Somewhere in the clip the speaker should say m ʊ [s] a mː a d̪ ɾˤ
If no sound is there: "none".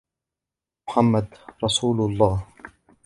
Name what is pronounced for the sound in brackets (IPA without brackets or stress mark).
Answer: ħ